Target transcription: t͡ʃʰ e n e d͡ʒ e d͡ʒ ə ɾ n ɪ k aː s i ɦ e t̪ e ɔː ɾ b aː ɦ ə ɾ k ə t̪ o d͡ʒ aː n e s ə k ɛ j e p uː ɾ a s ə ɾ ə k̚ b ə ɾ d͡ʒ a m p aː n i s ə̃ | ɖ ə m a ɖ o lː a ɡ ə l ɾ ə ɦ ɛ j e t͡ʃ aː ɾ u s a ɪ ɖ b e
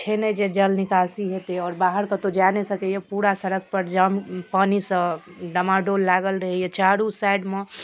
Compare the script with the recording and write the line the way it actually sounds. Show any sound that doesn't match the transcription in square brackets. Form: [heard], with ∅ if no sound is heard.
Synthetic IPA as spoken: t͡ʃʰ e n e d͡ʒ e d͡ʒ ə [l] n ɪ k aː s i ɦ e t̪ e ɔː ɾ b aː ɦ ə ɾ k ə t̪ o d͡ʒ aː n e s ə k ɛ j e p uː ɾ a s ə ɾ ə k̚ [p] ə ɾ d͡ʒ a m p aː n i s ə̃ | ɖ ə m a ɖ o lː a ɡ ə l ɾ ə ɦ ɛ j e t͡ʃ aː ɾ u s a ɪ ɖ [m] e